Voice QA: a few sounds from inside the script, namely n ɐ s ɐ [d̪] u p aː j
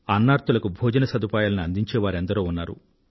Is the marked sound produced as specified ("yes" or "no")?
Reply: yes